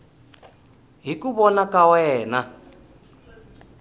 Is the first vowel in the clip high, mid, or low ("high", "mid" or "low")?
high